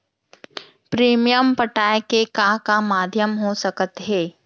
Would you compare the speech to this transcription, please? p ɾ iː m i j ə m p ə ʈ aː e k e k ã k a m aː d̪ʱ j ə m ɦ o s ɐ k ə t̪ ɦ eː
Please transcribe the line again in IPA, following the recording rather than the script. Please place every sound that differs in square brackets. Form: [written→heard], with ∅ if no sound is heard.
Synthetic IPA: p ɾ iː m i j ə m p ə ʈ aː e k e k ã k a m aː d̪ʱ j ə m ɦ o s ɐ k ə t̪ ɦ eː